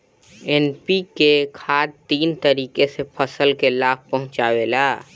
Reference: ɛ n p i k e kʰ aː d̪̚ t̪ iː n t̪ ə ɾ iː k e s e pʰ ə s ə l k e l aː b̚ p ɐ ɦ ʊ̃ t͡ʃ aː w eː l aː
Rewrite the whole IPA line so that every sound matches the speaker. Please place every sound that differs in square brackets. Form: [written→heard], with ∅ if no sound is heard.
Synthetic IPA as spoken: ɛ n p i k e kʰ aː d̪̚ t̪ iː n t̪ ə ɾ iː k e s e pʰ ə s ə l k e l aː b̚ p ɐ ɦ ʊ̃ t͡ʃ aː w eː l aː